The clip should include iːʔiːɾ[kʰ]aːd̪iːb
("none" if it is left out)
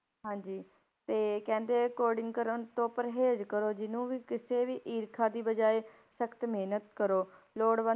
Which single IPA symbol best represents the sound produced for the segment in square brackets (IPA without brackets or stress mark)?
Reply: kʰ